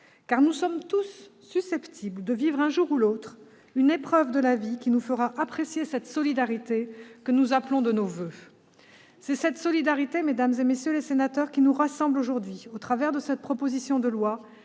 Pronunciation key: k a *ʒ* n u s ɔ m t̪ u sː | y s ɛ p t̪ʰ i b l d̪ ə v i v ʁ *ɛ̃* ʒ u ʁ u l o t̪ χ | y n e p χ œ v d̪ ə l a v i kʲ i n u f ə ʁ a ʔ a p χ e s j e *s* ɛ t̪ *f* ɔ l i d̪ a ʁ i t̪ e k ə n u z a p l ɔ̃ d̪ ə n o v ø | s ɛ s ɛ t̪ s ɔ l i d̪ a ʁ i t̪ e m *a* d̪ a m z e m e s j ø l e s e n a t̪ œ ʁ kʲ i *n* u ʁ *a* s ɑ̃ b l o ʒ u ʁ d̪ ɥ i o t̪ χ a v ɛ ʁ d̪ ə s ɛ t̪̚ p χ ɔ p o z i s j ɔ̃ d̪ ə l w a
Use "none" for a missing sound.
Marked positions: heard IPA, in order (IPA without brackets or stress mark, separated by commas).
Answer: ʁ, ɛ̃, s, s, e, n, a